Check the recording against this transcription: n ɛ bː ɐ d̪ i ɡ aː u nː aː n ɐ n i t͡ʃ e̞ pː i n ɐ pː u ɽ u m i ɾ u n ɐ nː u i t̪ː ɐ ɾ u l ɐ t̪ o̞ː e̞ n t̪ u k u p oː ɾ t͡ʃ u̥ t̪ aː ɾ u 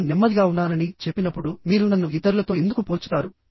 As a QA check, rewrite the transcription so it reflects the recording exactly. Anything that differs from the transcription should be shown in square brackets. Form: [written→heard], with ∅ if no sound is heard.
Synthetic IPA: n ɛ [bː→mː] ɐ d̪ i ɡ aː u nː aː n ɐ n i t͡ʃ e̞ pː i n ɐ pː u ɽ u m [i→iː] ɾ u n ɐ nː u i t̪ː ɐ ɾ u l ɐ t̪ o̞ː e̞ n [t̪→d̪] u k u p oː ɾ t͡ʃ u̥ t̪ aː ɾ u